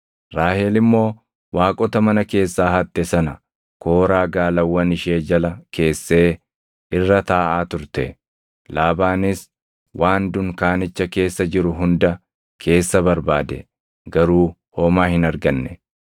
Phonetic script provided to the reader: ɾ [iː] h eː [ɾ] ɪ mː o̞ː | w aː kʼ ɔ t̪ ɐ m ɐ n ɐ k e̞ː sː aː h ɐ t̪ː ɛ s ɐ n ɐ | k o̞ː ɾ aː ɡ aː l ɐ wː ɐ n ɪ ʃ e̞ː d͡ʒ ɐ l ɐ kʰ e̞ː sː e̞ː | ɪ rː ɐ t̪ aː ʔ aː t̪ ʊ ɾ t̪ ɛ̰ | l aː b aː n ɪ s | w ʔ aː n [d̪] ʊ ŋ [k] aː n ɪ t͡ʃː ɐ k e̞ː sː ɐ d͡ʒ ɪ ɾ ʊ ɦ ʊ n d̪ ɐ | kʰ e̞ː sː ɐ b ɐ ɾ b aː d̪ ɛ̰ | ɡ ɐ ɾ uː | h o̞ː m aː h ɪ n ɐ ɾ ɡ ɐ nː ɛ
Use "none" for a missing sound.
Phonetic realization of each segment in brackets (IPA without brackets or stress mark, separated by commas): aː, l, d̪, k